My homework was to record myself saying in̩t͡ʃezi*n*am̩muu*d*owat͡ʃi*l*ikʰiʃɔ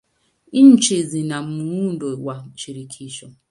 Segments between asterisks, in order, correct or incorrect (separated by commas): correct, correct, incorrect